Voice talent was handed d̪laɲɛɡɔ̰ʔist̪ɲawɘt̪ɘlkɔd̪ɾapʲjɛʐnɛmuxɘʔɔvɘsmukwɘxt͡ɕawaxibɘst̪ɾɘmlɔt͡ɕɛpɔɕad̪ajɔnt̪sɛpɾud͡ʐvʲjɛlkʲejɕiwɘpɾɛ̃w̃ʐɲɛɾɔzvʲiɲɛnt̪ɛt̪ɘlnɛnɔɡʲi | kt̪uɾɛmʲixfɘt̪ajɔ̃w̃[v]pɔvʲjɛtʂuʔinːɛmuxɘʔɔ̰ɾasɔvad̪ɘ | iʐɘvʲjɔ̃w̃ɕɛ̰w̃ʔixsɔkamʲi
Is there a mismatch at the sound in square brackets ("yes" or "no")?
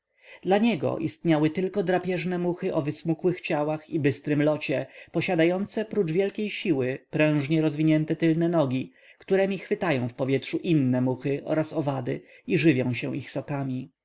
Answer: yes